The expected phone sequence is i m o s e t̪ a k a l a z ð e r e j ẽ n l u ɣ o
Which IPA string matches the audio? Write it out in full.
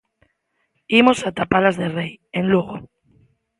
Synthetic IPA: i m o s a t̪ a p a l a z ð e r e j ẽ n l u ɣ o